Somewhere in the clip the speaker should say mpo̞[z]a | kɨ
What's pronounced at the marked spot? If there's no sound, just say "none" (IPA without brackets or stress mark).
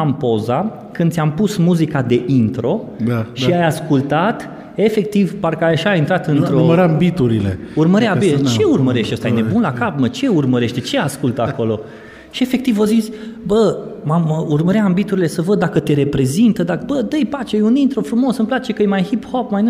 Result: z